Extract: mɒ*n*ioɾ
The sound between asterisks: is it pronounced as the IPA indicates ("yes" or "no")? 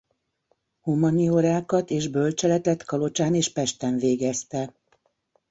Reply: yes